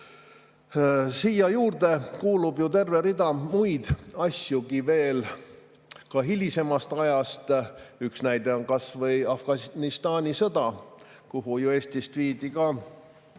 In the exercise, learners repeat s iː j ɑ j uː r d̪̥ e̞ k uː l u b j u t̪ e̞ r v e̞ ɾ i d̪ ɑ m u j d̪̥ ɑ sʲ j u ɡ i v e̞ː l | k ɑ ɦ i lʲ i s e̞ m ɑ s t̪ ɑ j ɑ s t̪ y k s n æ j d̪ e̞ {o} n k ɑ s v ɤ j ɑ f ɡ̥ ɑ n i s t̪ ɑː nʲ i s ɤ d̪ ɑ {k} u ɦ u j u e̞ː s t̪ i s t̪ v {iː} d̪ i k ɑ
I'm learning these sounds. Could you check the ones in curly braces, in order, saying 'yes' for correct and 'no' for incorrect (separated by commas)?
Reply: yes, yes, yes